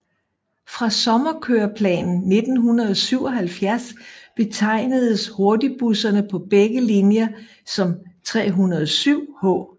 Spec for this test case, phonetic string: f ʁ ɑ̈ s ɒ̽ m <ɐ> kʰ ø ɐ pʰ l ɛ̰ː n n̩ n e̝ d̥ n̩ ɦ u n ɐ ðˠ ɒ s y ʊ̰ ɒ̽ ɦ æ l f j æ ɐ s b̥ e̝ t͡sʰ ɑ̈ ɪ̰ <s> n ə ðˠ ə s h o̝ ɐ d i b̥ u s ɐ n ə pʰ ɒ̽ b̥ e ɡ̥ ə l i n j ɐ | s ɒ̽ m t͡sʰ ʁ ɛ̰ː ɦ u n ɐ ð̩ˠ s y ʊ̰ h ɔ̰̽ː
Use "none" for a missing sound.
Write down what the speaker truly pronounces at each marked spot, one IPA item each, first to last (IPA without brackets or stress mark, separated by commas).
ɐ, none